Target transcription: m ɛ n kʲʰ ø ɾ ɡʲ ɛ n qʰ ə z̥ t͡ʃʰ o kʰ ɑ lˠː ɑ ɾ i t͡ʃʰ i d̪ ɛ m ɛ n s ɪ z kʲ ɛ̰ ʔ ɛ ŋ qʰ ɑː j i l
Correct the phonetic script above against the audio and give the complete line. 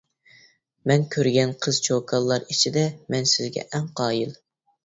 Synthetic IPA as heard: m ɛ n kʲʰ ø ɾ ɡʲ ɛ n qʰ ə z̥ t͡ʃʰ o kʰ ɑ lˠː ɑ ɾ i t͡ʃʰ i d̪ ɛ m ɛ n s ɪ z ɡʲ ɛ̰ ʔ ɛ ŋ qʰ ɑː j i l